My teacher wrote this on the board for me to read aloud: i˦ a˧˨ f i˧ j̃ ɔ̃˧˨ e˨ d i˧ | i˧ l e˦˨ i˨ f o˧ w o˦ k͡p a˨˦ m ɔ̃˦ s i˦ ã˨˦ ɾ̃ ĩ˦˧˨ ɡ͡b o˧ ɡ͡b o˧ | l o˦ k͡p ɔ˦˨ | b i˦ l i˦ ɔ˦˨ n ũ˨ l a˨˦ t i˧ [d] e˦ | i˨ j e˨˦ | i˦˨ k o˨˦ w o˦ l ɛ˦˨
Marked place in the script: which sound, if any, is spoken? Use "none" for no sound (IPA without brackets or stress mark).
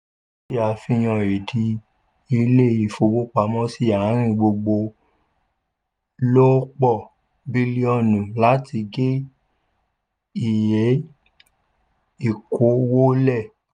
ɡ